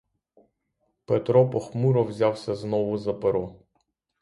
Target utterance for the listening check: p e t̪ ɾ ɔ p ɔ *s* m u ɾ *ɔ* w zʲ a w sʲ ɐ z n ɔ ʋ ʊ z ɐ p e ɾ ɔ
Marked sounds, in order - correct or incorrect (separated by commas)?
incorrect, correct